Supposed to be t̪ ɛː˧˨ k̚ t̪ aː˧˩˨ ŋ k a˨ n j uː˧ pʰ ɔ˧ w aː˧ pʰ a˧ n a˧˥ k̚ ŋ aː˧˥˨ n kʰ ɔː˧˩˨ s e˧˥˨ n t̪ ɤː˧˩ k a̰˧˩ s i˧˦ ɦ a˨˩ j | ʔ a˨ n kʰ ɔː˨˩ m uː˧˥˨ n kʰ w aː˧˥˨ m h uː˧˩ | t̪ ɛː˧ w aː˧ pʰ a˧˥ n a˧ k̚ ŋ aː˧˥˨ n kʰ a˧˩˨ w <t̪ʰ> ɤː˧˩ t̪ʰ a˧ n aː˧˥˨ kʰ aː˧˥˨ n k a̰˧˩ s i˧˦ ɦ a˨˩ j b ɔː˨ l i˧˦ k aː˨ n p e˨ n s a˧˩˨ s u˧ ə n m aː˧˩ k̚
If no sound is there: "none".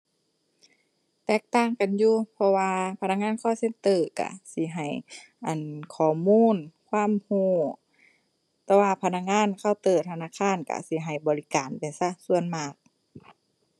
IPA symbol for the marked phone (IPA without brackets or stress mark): t̪